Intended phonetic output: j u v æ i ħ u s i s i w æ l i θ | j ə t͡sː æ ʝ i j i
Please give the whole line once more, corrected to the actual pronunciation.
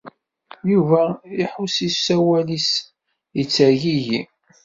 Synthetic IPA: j u v æ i ħ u s i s æ w æ l i s | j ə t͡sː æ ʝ i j i